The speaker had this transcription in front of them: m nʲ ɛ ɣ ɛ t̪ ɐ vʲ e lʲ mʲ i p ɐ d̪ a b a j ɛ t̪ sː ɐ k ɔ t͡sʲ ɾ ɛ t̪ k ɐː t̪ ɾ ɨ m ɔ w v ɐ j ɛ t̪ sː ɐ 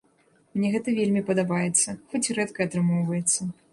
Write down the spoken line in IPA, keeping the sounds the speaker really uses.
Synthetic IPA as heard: m nʲ ɛ ɣ ɛ t̪ ɐ vʲ e lʲ mʲ i p ɐ d̪ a b a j ɛ t̪ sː ɐ x ɔ t͡sʲ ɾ ɛ t̪ k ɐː t̪ ɾ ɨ m ɔ w v ɐ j ɛ t̪ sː ɐ

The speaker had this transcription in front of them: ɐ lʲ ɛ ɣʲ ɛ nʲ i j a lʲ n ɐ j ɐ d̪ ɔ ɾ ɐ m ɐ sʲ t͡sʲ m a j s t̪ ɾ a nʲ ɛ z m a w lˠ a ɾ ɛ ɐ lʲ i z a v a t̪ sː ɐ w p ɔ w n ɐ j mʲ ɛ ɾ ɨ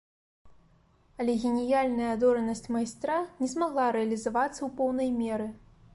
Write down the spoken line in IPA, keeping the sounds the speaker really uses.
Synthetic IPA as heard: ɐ lʲ ɛ ɣʲ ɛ nʲ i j a lʲ n ɐ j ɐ d̪ ɔ ɾ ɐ n ɐ sʲ t͡sʲ m a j s t̪ ɾ a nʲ ɛ z m a ɣ lˠ a ɾ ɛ ɐ lʲ i z a v a t̪ sː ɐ w p ɔ w n ɐ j mʲ ɛ ɾ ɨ

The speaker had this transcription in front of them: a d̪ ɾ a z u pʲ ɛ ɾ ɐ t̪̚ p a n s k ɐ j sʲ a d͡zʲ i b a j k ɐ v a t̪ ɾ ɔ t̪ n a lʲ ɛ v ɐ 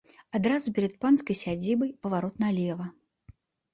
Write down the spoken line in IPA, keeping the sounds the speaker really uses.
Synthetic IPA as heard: a d̪ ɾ a z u pʲ ɛ ɾ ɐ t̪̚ p a n s k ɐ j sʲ a d͡zʲ i b ɐ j p ɐ v a ɾ ɔ t̪ n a lʲ ɛ v ɐ

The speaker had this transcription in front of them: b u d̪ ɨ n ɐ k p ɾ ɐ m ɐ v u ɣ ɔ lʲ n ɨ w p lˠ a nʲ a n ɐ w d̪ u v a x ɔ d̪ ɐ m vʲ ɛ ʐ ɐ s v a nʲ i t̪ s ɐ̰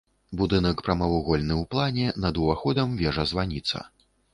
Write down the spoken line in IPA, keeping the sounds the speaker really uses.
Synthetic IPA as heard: b u d̪ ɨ n ɐ k p ɾ ɐ m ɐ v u ɣ ɔ lʲ n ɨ w p lˠ a nʲ ɛ n ɐ d̪ u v a x ɔ d̪ ɐ m vʲ ɛ ʐ ɐ z v a nʲ i t̪ s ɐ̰

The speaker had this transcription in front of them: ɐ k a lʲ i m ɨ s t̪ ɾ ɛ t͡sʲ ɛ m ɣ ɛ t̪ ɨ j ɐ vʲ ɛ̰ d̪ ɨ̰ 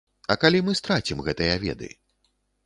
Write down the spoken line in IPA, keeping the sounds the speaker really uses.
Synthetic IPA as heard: ɐ k a lʲ i m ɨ s t̪ ɾ a t͡sʲ i m ɣ ɛ t̪ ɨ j ɐ vʲ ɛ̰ d̪ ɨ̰

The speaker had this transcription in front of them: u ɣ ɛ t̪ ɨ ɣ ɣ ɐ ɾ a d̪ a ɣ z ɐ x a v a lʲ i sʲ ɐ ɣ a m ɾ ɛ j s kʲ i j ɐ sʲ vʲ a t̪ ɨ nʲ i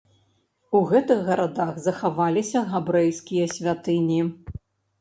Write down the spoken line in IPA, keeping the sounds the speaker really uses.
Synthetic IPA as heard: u ɣ ɛ t̪ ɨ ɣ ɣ ɐ ɾ a d̪ a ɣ z ɐ x a v a lʲ i sʲ ɐ ɣ a b ɾ ɛ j s kʲ i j ɐ sʲ vʲ a t̪ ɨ nʲ i

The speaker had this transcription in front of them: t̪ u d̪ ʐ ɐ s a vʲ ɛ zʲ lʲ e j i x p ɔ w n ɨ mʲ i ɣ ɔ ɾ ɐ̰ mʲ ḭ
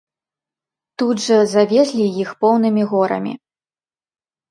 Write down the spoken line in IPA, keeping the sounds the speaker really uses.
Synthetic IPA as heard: t̪ u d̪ ʐ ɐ z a vʲ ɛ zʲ lʲ i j i x p ɔ w n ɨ mʲ i ɣ ɔ ɾ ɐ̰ mʲ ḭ

